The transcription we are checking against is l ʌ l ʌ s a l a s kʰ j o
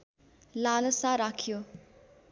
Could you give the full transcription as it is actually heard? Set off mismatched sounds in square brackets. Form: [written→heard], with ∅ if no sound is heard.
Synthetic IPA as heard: l [ʌ→a] l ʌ s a [l→ɾ] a [s→∅] kʰ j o